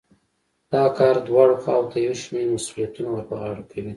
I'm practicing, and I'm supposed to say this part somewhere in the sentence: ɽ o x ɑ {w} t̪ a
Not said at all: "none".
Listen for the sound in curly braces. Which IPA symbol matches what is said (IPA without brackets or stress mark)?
w